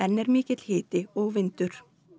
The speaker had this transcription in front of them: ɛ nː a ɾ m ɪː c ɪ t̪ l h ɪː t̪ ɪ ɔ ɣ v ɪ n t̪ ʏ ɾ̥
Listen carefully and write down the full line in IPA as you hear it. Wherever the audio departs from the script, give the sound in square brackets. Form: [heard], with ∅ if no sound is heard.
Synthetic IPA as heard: ɛ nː [ɛ] ɾ m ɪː c ɪ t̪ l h ɪː t̪ ɪ ɔ ɣ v ɪ n t̪ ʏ ɾ̥